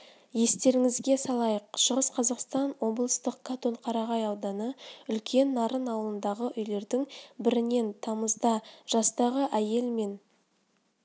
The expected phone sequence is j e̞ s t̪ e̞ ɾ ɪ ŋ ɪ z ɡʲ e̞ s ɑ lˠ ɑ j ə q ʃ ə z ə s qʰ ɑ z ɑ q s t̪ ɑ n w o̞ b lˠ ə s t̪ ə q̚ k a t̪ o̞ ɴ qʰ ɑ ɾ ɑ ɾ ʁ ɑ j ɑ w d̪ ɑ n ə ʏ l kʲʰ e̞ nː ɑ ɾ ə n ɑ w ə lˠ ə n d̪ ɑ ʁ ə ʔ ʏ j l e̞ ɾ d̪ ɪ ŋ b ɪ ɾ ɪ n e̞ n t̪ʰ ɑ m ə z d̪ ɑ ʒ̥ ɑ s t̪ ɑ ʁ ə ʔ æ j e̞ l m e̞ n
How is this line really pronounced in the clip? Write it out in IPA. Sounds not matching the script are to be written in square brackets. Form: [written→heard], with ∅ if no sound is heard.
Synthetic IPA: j e̞ s t̪ e̞ ɾ ɪ ŋ ɪ z ɡʲ e̞ s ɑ lˠ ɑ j ə q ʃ ə [z→ʁ] ə s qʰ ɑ z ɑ q s t̪ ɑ n w o̞ b lˠ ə s t̪ ə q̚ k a t̪ o̞ ɴ qʰ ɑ ɾ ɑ [ɾ→∅] ʁ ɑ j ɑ w d̪ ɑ n ə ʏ l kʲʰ e̞ nː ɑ ɾ ə n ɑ w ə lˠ ə n d̪ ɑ ʁ ə ʔ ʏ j l e̞ ɾ d̪ ɪ ŋ b ɪ ɾ ɪ n e̞ n t̪ʰ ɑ m ə z d̪ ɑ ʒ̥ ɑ s t̪ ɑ ʁ ə ʔ æ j e̞ l m e̞ n